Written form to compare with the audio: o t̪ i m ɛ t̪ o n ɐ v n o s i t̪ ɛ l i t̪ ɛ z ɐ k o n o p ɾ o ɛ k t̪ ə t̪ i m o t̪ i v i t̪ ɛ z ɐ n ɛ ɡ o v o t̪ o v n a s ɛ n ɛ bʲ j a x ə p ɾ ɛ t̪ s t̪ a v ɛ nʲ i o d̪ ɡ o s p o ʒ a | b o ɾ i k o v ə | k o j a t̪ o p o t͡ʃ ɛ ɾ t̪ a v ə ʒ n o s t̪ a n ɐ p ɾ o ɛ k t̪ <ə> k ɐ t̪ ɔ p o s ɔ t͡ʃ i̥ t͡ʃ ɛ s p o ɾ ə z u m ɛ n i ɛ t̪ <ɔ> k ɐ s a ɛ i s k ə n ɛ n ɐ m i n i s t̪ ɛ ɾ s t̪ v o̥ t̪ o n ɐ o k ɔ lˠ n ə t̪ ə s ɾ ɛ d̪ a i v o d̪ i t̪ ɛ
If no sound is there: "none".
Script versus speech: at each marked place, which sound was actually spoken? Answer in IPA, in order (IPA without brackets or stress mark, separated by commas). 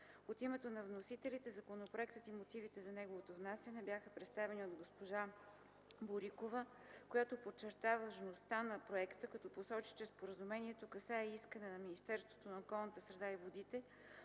ə, o